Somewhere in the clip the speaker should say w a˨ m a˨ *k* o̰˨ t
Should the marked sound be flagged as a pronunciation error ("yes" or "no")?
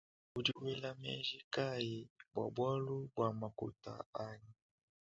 no